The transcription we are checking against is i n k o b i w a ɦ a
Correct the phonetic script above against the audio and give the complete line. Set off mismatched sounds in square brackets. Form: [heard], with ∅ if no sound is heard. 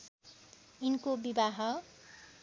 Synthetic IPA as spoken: i n k o b i [b] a ɦ [ʌ]